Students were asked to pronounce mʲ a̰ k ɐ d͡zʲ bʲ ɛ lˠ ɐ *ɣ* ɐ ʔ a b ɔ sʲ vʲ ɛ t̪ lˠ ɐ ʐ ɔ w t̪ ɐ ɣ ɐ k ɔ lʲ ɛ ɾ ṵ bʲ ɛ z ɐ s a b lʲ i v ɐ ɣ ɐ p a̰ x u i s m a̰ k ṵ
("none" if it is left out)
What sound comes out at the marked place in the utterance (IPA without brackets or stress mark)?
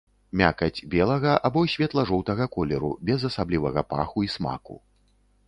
ɣ